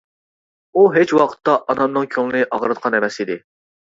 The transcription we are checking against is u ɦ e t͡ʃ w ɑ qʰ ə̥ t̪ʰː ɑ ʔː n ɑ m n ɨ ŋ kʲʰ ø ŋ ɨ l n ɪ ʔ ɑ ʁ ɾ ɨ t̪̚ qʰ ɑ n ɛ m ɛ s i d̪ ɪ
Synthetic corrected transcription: u ɦ e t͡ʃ w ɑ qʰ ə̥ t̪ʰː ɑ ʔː n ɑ m n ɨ ŋ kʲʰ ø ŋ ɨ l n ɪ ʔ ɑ ʁ ɾ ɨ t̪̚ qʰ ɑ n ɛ m ɛ s i d̪ ɪ